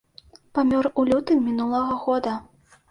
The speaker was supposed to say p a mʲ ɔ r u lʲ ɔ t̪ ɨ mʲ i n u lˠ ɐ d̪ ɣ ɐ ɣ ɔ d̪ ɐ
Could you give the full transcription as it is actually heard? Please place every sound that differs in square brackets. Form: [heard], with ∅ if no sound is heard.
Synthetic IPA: p a mʲ ɔ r u lʲ [u] t̪ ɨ mʲ i n u lˠ ɐ [∅] ɣ ɐ ɣ ɔ d̪ ɐ